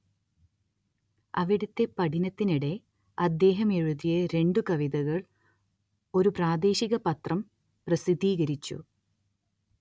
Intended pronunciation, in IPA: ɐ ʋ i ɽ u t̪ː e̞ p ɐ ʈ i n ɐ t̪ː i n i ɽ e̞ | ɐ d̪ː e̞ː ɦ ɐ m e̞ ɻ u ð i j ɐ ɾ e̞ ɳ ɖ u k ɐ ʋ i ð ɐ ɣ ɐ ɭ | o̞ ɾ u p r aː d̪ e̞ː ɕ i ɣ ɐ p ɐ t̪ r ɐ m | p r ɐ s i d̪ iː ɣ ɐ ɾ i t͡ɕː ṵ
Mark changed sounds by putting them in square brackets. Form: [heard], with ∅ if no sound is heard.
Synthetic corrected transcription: ɐ ʋ i ɽ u t̪ː e̞ p ɐ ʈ i n ɐ t̪ː i n i ɽ e̞ | ɐ d̪ː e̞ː ɦ ɐ m e̞ ɻ u ð i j ɐ ɾ e̞ ɳ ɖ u k ɐ ʋ i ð ɐ ɣ ɐ ɭ | o̞ ɾ u p r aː d̪ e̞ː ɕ i ɣ ɐ p ɐ t̪ r ɐ m | p r ɐ s i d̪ iː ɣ ɐ ɾ i t͡ɕː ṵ